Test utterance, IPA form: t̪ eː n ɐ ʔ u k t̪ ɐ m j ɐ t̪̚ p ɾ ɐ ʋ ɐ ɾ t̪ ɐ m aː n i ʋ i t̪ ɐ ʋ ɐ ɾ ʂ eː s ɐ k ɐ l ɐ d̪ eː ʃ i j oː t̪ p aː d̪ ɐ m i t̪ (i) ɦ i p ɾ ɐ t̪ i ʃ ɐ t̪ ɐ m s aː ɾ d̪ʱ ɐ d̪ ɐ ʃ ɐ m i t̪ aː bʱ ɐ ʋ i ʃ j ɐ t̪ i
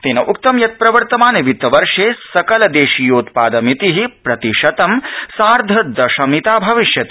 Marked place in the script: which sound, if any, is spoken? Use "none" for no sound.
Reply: i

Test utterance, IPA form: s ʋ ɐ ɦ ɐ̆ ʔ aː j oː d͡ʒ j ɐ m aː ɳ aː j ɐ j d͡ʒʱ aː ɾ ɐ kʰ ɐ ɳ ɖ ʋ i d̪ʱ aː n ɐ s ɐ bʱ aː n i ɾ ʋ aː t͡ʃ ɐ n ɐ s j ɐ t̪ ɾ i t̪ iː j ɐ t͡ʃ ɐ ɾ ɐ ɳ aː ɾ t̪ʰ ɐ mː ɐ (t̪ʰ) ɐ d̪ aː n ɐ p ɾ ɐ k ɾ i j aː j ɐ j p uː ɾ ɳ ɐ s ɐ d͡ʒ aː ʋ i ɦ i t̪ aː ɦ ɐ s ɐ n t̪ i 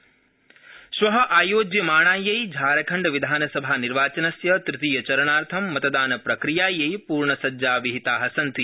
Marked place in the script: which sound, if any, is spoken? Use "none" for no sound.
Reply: t̪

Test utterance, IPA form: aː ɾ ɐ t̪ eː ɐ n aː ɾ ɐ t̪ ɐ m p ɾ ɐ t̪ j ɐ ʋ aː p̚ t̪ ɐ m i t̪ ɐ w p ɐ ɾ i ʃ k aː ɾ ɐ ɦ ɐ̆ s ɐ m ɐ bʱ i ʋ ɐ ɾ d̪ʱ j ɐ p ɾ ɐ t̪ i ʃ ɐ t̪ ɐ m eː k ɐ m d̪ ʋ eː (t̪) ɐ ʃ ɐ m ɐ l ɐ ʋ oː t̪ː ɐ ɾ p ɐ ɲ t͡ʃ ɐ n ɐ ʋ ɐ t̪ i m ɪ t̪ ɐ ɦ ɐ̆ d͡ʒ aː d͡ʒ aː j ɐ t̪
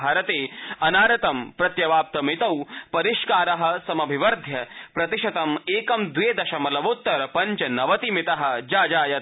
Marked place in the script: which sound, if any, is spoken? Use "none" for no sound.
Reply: d̪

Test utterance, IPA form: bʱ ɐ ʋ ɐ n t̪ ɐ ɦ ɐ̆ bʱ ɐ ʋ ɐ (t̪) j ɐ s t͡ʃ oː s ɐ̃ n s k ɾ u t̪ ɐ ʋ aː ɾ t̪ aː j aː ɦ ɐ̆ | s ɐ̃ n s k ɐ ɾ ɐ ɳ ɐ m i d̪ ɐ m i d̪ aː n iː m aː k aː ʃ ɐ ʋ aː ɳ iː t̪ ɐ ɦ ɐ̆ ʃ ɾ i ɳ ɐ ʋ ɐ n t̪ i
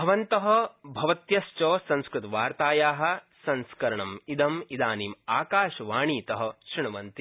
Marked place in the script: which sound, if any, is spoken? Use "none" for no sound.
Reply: t̪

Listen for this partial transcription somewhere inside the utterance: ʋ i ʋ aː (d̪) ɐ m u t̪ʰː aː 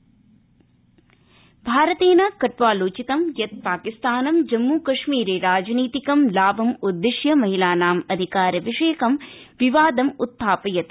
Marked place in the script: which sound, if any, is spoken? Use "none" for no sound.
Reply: d̪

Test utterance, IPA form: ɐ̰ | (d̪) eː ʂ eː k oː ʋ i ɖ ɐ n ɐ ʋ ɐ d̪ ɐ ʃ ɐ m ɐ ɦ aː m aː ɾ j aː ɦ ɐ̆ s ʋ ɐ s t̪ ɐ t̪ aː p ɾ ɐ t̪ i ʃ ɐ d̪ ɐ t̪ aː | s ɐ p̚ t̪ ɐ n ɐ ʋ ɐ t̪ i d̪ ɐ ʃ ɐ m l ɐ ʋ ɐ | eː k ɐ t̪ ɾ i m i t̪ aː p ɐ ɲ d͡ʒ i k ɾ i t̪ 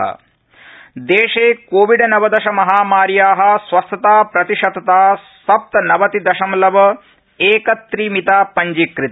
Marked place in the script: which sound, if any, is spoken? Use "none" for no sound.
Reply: d̪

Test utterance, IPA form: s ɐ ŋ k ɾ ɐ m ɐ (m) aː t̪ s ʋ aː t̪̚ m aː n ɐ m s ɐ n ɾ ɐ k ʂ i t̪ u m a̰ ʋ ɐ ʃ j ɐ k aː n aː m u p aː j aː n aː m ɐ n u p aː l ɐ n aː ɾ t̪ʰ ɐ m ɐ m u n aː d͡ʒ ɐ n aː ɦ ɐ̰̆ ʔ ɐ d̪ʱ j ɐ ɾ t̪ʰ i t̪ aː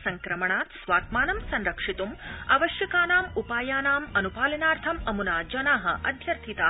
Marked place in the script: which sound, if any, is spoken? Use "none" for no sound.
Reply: ɳ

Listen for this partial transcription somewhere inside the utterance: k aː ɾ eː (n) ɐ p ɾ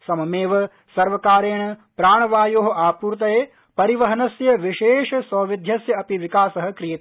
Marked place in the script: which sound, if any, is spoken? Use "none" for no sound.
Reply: ɳ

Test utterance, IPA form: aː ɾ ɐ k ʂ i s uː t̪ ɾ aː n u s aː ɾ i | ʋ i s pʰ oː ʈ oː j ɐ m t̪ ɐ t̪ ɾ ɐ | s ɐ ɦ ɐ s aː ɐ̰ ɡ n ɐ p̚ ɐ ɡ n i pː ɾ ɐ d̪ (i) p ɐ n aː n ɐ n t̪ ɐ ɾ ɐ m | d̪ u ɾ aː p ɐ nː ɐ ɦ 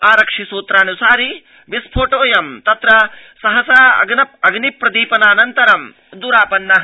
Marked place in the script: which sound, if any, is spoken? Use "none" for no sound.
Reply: iː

